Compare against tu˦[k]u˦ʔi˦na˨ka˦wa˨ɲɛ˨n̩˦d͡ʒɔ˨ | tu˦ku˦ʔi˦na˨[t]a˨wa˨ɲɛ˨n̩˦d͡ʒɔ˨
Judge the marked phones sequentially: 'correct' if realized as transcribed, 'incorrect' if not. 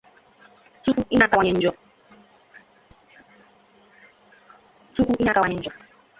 correct, incorrect: k

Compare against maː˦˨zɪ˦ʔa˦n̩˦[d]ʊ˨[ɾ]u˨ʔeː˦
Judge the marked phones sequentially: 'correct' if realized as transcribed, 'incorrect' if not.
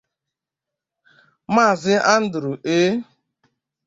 correct, correct

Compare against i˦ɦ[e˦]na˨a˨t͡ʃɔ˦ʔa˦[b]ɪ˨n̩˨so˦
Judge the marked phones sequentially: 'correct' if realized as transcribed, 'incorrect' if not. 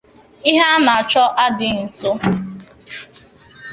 incorrect: a˦, incorrect: d

